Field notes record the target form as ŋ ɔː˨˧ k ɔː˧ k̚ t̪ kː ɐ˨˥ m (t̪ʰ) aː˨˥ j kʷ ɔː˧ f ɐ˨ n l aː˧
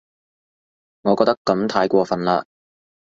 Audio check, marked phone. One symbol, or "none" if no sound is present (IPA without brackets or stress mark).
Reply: t̪ʰ